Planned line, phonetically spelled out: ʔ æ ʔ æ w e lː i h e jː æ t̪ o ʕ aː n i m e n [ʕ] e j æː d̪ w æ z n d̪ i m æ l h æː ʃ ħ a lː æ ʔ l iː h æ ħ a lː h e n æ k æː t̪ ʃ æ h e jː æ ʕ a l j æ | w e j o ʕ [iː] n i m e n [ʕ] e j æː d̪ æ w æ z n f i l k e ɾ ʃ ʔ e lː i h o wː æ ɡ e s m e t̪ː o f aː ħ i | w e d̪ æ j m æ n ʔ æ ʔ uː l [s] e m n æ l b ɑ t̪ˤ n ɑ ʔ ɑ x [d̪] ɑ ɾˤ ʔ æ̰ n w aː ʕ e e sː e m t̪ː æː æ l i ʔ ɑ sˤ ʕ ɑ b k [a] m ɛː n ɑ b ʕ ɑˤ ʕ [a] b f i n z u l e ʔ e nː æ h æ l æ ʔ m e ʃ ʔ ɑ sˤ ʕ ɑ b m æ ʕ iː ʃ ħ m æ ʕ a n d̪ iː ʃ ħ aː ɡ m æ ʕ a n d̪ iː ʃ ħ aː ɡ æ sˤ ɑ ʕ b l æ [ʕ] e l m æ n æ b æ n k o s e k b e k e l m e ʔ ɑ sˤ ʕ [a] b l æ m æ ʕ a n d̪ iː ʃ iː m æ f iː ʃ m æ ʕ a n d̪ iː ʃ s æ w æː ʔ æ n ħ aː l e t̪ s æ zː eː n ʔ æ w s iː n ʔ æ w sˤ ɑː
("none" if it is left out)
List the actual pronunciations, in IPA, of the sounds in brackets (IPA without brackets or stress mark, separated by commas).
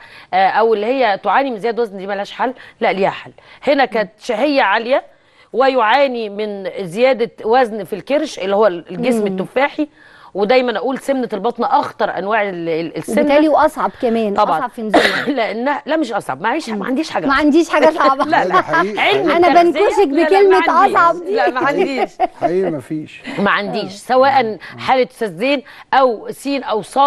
z, aː, z, s, t̪, æ, ɑ, ʕ, ɑ